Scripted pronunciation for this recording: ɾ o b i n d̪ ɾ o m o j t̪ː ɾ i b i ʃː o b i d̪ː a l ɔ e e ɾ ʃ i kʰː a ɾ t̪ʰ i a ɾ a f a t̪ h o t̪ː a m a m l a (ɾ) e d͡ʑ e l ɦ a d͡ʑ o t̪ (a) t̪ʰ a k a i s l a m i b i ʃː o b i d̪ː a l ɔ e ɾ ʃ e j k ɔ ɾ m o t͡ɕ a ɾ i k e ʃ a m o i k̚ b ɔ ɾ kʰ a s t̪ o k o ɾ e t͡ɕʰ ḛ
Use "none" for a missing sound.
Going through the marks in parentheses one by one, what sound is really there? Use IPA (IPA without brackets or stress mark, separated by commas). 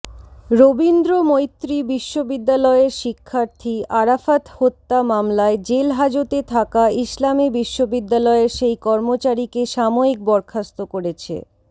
none, e